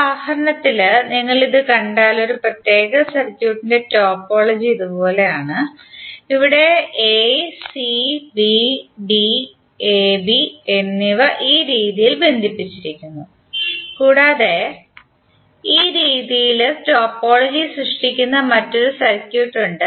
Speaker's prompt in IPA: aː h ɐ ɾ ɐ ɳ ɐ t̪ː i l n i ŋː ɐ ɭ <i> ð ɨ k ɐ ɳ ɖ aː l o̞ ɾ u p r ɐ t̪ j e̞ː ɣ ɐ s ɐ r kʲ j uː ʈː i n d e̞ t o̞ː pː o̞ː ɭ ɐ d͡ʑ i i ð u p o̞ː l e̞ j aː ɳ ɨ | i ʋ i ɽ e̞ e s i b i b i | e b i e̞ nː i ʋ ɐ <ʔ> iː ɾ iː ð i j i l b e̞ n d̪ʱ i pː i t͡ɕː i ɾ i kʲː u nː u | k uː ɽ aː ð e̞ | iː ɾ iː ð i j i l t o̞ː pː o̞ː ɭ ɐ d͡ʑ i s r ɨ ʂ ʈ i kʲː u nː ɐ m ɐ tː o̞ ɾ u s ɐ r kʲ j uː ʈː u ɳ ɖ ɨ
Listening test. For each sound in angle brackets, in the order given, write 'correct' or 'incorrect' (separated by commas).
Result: correct, correct